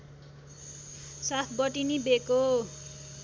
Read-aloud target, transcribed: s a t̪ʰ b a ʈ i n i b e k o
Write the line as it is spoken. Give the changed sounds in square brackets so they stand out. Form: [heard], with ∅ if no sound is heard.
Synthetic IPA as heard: s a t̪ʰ b [ʌ] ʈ i n i b e k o

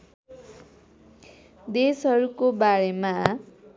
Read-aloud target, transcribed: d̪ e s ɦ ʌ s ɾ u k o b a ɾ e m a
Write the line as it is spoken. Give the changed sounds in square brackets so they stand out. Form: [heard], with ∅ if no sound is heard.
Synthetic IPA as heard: d̪ e s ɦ ʌ [∅] ɾ u k o b a ɾ e m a

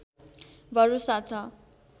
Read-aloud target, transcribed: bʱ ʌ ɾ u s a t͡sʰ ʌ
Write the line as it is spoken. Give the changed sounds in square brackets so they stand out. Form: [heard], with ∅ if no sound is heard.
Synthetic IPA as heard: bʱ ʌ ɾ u s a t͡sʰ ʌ

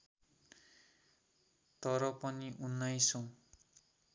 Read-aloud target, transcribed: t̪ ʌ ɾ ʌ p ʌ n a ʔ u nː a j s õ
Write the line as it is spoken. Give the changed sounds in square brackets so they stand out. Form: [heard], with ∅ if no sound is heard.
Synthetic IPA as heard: t̪ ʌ ɾ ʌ p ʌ n [i] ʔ u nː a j s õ

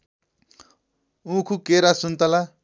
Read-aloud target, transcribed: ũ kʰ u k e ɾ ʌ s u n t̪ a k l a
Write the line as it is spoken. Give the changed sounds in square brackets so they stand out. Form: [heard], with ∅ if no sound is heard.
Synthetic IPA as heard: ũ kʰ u k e ɾ [a] s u n t̪ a [∅] l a

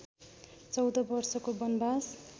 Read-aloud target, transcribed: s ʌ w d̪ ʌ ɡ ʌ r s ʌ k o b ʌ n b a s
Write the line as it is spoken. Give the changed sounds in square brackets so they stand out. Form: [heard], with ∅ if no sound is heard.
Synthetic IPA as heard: [t͡s] ʌ w d̪ ʌ [b] ʌ r s ʌ k o b ʌ n b a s

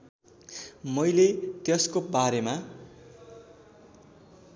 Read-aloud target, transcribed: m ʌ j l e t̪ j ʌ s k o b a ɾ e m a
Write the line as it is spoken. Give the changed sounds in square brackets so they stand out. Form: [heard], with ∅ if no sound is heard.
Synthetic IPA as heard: m ʌ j l e t̪ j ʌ s k o b a ɾ e m a

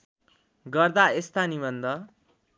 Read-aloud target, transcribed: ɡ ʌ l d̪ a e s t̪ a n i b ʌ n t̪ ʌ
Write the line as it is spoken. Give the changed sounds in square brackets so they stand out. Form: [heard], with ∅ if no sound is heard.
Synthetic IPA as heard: ɡ ʌ [r] d̪ a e s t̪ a n i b ʌ n [d̪] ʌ

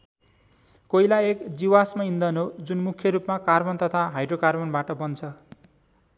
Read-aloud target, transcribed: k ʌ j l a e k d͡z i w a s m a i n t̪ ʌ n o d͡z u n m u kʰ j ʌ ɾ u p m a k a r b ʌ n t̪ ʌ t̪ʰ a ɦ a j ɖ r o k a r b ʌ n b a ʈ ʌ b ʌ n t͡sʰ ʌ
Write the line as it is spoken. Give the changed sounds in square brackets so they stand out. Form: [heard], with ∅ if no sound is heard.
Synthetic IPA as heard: k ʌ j l a e k d͡z i w a s m a i n [d̪] ʌ n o d͡z u n m u kʰ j ʌ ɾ u p m a k a r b ʌ n t̪ ʌ t̪ʰ a ɦ a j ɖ r o k a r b ʌ n b a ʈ ʌ b ʌ n t͡sʰ ʌ

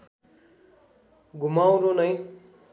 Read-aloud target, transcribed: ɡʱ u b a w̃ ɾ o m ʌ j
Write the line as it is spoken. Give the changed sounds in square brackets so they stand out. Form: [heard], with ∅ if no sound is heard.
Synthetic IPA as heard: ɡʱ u [m] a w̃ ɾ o [n] ʌ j

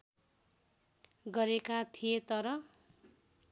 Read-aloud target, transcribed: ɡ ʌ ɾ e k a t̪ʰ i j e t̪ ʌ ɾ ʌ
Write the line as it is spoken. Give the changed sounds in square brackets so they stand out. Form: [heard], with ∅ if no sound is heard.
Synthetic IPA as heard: ɡ ʌ ɾ e k a t̪ʰ i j e t̪ ʌ ɾ ʌ

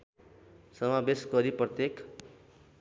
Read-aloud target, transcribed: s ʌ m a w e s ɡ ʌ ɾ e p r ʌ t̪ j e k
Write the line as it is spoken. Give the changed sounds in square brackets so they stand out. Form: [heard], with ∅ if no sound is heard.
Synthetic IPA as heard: s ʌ m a [b] e s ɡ ʌ ɾ [i] p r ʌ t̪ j e k

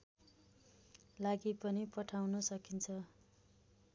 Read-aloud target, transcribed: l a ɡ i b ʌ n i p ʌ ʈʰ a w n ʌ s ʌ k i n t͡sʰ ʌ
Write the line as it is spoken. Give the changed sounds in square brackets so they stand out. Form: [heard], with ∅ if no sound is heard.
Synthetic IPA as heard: l a ɡ i [p] ʌ n i p ʌ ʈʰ a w n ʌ s ʌ k i n t͡sʰ ʌ

